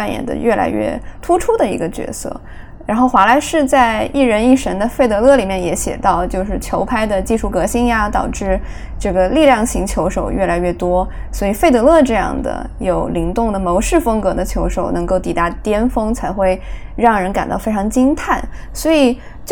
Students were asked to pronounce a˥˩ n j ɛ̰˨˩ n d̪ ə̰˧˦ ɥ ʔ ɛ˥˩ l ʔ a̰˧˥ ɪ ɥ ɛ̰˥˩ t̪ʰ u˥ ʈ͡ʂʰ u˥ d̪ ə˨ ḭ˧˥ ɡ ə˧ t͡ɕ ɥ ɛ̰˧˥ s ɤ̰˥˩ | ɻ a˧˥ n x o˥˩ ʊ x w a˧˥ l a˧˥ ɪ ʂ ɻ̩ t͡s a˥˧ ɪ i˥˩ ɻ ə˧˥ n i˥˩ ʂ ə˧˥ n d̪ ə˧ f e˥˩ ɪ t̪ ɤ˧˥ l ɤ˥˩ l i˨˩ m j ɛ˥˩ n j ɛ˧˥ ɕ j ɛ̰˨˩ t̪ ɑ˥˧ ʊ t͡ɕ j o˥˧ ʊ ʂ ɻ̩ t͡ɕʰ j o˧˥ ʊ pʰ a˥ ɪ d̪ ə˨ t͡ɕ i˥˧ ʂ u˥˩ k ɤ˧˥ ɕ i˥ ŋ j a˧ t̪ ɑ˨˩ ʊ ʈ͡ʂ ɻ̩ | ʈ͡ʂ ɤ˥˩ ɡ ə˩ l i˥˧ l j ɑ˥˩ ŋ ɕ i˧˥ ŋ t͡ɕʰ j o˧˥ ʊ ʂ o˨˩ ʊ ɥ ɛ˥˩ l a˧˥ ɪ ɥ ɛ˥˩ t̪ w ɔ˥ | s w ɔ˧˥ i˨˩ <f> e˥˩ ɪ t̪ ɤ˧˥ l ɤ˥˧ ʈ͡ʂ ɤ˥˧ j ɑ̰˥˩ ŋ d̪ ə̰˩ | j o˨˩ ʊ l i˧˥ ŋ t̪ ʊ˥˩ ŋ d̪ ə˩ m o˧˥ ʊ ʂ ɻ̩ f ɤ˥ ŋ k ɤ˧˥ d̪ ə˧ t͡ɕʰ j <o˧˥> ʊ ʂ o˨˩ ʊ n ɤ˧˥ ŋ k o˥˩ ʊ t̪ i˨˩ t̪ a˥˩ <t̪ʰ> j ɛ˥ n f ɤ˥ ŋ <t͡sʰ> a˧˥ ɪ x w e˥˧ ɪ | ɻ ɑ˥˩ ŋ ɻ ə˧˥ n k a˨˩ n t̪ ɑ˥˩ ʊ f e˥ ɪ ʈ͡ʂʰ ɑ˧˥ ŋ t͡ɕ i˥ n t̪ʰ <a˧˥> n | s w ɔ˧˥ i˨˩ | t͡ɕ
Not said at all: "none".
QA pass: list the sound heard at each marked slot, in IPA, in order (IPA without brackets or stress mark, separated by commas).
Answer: f, o˧˥, t̪, t͡sʰ, a˥˩